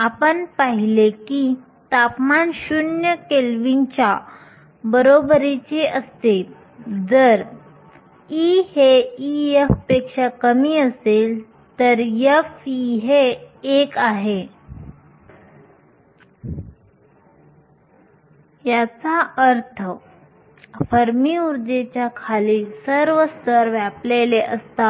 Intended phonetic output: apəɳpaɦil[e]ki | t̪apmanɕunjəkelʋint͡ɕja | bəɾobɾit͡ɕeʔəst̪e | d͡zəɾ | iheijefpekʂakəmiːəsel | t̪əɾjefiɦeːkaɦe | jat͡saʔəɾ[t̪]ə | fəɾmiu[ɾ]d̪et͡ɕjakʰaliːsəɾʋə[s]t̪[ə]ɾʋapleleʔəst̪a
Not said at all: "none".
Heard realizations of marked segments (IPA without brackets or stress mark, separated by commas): e, t̪ʰ, ɾ, s, ə